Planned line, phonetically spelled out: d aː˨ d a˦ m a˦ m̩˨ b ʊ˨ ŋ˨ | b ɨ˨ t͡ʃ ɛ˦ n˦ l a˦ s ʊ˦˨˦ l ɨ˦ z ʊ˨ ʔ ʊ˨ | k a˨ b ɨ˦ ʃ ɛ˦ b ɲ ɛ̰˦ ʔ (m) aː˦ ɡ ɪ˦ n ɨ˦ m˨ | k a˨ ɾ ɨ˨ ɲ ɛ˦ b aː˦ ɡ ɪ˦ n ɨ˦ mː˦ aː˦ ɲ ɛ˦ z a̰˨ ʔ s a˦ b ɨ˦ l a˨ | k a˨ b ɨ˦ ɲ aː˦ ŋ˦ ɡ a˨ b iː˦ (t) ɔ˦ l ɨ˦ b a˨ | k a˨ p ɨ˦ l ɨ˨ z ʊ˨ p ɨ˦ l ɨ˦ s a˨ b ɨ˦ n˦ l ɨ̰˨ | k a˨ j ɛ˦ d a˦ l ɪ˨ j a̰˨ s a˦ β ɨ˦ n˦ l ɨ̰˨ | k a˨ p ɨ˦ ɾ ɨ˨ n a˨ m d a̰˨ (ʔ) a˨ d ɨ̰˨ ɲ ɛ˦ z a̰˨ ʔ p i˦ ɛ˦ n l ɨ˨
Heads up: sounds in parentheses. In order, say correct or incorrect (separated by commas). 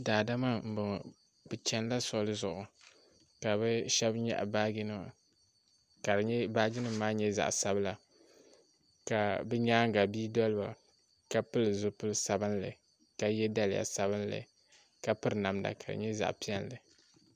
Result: incorrect, incorrect, incorrect